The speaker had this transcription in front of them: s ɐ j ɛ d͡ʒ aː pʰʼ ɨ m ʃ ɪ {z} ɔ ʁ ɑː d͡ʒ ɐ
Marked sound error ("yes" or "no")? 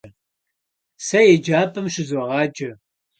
no